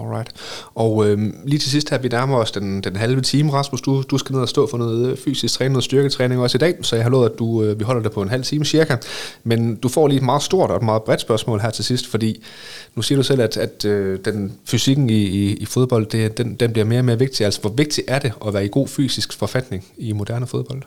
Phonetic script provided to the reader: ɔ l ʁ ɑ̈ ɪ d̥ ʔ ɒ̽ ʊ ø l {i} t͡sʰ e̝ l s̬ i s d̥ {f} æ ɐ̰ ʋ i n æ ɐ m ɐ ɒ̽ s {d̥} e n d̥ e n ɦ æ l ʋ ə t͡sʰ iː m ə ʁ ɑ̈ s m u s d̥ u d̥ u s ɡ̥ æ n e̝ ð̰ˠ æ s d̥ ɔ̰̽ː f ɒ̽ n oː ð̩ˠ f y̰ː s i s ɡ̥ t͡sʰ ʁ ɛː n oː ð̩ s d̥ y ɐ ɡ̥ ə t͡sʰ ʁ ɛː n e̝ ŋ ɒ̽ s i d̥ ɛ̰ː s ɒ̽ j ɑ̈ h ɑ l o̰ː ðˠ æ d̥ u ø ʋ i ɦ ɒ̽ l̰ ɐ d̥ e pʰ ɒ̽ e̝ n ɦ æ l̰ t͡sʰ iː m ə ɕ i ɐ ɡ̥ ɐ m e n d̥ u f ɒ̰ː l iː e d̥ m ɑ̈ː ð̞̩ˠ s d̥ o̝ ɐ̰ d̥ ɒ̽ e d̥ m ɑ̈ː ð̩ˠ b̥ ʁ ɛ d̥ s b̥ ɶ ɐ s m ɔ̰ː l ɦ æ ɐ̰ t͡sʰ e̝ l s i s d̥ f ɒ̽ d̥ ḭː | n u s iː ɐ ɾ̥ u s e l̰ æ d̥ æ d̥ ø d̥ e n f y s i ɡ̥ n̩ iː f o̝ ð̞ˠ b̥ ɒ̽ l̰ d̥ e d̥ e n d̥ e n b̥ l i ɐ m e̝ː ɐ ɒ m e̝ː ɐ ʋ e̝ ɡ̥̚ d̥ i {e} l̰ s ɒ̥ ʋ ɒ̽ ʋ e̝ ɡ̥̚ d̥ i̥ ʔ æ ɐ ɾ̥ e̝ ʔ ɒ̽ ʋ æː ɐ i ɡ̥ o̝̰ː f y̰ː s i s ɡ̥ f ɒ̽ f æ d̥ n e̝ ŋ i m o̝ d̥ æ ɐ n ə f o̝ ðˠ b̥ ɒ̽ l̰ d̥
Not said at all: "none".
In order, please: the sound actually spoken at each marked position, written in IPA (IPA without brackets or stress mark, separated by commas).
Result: iː, h, d̥, æ